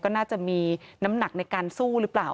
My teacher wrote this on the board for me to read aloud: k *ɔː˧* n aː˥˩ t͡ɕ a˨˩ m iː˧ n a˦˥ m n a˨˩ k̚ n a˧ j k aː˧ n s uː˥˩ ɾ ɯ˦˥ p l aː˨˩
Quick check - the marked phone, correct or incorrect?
incorrect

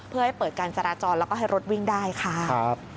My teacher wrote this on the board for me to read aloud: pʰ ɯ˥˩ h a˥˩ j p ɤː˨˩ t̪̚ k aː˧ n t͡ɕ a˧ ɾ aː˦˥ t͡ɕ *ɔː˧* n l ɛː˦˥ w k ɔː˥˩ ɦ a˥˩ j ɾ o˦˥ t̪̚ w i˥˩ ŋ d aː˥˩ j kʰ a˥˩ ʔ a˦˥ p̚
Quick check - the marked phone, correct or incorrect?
correct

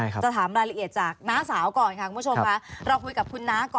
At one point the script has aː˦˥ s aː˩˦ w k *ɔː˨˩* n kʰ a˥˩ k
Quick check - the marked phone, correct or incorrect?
correct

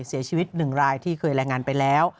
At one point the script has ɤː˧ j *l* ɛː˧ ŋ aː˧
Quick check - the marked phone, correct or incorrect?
incorrect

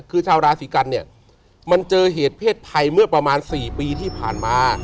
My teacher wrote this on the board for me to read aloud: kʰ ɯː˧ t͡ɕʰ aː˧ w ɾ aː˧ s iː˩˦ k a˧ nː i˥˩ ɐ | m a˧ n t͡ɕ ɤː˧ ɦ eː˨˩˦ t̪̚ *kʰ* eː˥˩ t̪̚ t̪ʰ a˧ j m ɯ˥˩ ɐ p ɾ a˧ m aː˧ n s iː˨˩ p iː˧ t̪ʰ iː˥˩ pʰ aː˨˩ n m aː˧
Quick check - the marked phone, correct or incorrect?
incorrect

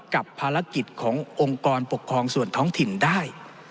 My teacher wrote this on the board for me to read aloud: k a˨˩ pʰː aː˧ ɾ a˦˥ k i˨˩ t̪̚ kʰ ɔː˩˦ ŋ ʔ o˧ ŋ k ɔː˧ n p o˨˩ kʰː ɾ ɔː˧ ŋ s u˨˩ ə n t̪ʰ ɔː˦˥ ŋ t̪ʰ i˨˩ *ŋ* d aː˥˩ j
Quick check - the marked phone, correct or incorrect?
incorrect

